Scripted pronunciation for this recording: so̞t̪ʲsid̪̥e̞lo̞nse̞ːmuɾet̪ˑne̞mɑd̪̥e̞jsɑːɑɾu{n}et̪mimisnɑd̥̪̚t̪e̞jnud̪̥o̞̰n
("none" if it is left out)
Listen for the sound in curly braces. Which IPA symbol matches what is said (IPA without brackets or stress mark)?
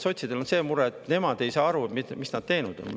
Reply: none